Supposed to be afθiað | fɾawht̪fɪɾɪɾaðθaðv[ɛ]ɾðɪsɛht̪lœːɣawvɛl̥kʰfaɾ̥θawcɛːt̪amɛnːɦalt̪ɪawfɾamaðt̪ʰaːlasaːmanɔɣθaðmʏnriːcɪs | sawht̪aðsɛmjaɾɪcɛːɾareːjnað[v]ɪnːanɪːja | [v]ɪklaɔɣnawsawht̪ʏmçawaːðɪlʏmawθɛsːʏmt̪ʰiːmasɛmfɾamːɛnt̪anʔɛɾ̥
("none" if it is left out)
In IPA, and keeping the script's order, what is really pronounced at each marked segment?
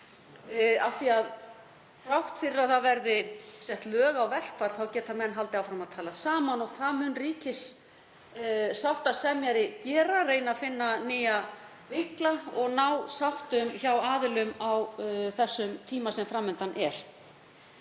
ɛ, f, v

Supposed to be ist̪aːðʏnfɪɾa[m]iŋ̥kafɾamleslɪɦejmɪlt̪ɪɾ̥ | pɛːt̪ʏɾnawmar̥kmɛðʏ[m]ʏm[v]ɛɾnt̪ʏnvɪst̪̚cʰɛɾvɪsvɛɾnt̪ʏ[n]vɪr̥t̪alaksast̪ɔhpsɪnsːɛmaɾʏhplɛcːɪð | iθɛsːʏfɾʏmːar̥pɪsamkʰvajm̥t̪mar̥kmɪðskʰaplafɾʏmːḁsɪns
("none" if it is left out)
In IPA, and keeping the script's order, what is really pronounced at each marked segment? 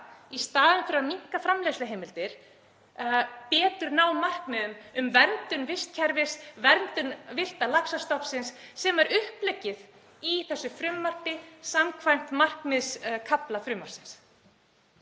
m, m, v, n

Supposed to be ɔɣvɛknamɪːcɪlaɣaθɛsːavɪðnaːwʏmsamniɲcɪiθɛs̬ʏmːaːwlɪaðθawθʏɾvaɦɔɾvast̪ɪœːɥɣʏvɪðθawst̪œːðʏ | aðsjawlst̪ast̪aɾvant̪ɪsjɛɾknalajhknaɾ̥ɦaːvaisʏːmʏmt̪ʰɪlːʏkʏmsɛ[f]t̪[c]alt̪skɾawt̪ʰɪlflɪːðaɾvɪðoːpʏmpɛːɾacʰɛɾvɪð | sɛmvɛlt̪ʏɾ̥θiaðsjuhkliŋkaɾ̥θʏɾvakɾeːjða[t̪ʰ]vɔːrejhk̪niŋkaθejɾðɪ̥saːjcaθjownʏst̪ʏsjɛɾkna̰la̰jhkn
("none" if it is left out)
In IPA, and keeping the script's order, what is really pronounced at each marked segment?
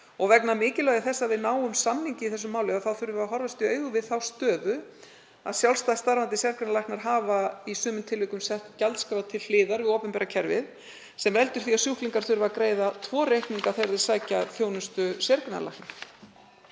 h, c, t̪ʰ

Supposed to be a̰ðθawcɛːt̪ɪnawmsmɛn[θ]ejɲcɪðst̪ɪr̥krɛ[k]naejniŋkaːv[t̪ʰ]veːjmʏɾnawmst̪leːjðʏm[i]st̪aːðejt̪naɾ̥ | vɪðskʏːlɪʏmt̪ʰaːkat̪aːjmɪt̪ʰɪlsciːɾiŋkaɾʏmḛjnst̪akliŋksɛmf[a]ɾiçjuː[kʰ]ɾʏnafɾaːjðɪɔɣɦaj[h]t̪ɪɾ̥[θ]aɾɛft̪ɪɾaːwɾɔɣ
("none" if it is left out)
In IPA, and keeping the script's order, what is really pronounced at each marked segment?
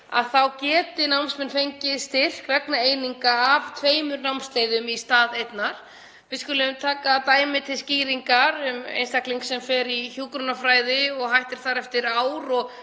f, k, t̪ʰ, i, ɛ, k, h, θ

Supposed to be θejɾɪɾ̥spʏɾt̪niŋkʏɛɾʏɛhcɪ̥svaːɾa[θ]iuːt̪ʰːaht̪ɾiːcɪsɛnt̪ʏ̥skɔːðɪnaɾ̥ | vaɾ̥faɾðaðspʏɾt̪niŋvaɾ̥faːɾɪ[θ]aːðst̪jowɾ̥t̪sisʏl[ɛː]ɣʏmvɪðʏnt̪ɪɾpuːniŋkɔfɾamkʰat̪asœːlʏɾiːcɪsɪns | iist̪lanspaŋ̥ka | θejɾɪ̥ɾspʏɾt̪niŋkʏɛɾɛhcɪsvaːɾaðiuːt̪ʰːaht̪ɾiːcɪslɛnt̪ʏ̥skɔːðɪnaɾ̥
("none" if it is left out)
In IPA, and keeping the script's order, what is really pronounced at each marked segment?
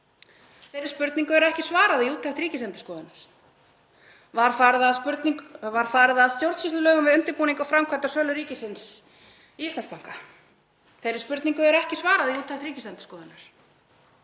ð, ð, œː

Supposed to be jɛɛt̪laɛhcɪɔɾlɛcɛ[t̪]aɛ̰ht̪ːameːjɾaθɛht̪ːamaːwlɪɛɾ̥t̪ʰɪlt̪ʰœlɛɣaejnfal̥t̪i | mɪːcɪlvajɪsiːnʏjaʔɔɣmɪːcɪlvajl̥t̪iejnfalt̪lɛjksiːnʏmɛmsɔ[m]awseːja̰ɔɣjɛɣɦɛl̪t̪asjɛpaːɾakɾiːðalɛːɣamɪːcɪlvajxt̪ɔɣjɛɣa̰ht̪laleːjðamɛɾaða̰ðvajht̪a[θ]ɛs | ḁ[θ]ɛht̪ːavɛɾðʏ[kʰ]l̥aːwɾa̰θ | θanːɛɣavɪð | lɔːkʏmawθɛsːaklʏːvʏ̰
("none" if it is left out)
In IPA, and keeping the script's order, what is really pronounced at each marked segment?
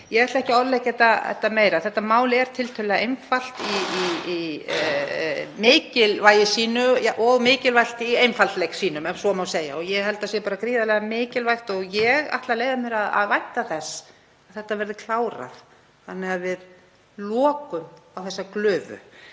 t̪, m, θ, θ, kʰ

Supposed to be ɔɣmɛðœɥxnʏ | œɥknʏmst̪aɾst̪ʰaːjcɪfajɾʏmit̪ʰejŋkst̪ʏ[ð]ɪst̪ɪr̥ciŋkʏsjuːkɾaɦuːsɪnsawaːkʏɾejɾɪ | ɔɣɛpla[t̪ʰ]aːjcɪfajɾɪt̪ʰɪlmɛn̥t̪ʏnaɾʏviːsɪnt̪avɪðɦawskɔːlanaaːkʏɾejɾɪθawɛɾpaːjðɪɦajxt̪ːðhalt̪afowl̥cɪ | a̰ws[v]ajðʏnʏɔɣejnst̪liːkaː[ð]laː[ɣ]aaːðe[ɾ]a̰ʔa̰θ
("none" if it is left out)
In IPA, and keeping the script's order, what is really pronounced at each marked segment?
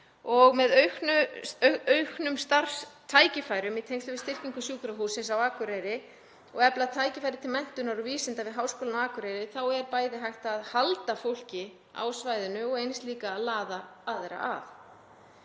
v, t̪ʰ, v, ð, ð, ɾ

